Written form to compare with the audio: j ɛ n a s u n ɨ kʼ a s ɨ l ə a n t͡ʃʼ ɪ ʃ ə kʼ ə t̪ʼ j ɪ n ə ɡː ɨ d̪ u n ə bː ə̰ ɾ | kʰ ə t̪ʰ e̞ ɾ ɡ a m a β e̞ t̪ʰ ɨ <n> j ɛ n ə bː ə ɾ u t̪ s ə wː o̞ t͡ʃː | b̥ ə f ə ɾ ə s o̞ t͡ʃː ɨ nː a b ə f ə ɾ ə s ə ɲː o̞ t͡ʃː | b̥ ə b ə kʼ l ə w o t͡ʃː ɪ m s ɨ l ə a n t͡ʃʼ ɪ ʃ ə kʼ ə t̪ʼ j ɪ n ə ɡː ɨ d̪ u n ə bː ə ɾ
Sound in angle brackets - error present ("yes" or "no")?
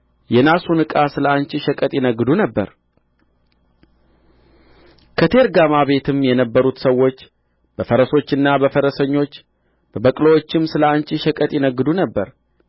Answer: yes